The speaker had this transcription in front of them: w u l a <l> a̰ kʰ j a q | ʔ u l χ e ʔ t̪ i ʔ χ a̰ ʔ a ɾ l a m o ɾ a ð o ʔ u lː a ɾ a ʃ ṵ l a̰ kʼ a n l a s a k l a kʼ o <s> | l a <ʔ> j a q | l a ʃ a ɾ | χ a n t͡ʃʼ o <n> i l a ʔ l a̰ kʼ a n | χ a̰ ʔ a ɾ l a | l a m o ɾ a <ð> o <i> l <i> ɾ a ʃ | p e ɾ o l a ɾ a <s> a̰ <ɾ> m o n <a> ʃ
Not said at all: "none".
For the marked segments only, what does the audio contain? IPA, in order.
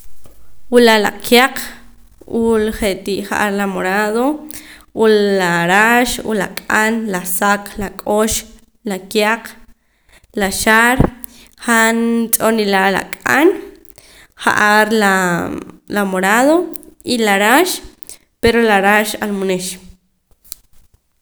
l, ʃ, k, n, ð, i, a, ʃ, l, e

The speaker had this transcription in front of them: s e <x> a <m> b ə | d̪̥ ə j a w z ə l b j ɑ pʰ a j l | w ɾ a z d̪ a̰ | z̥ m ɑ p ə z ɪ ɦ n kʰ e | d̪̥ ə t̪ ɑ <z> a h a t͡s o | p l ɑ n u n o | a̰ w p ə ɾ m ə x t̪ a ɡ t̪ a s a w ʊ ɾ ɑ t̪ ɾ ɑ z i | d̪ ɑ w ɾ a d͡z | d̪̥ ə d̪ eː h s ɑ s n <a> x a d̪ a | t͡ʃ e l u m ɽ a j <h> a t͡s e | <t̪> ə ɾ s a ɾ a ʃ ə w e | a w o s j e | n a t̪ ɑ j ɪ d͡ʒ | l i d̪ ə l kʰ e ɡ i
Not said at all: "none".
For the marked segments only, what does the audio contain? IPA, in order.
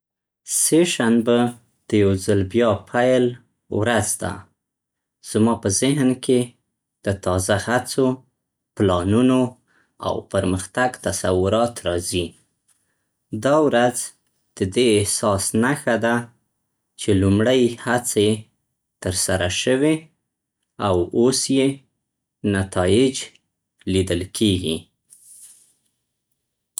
ʃ, n, z, a, h, t̪

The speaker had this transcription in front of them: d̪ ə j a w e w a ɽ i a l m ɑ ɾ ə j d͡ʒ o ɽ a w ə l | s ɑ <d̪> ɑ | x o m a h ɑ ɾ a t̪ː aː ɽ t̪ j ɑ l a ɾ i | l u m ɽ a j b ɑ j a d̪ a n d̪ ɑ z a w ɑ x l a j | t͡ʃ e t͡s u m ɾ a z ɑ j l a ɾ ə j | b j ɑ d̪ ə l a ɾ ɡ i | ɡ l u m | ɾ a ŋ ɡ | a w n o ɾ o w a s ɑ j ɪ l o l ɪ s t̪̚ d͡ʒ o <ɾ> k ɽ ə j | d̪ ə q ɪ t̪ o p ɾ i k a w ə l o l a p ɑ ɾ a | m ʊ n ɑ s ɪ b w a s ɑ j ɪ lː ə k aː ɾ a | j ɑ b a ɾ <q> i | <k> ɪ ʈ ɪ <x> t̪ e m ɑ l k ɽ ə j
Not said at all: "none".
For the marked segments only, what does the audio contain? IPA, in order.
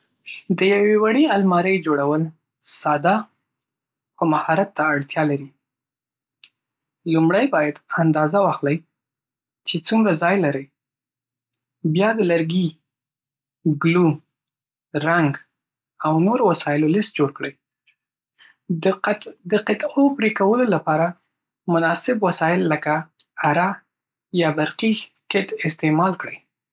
d̪, ɽ, q, k, s

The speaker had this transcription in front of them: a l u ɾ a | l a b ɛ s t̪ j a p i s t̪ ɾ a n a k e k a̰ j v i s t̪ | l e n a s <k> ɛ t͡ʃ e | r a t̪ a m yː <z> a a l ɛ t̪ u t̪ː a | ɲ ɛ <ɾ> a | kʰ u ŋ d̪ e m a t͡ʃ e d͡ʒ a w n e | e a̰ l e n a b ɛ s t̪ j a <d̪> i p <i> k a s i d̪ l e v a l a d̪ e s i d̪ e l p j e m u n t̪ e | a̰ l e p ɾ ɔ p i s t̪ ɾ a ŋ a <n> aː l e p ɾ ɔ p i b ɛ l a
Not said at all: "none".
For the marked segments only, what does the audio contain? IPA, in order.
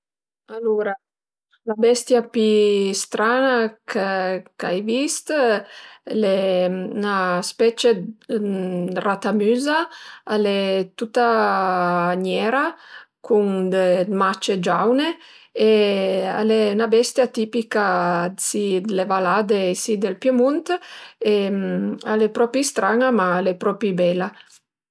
p, z, ɾ, t̪, i, m

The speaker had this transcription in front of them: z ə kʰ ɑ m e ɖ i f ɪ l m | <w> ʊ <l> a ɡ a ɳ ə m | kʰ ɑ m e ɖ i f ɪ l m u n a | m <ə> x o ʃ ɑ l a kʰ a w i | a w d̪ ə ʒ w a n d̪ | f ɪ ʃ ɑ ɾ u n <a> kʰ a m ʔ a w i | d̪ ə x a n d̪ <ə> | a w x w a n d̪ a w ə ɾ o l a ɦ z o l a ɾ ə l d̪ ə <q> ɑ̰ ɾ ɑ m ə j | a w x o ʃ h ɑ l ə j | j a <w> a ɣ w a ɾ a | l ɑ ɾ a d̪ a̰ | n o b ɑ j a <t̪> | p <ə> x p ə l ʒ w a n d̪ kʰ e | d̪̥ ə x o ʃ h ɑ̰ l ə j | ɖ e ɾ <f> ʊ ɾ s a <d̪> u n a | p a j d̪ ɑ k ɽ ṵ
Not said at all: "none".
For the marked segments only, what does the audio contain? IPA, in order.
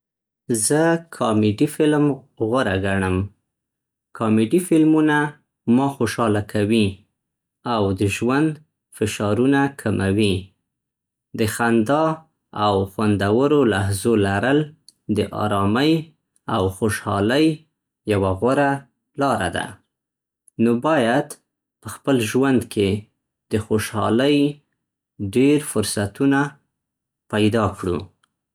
ɣ, ɾ, ɑ, a, ɑ, ʔ, w, d̪, ə, f, t̪

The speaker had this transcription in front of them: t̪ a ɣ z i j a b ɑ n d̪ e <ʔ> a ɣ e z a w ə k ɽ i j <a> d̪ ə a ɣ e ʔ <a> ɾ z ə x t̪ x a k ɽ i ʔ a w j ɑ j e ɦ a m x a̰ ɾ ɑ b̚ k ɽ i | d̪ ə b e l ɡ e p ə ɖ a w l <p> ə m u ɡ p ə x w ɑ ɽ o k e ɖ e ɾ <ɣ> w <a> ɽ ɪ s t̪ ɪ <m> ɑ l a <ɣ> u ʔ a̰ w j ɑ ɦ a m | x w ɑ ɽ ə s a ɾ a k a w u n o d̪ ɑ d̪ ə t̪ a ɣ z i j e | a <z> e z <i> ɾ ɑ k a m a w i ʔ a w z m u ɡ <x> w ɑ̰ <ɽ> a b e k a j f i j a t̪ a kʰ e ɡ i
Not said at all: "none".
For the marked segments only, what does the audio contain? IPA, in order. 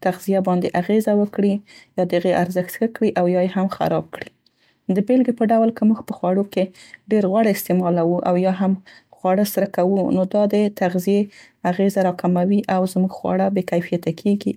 ʔ, ɑ, a, k, ɣ, a, m, w, ɣ, a, x, ɽ

